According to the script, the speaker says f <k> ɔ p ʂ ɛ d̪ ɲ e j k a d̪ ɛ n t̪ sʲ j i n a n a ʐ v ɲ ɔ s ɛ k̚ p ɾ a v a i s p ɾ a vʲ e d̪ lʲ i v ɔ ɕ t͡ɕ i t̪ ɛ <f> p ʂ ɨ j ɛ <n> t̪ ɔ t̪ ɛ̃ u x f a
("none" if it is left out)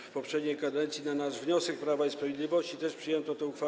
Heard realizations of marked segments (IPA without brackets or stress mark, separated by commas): p, ʂ, n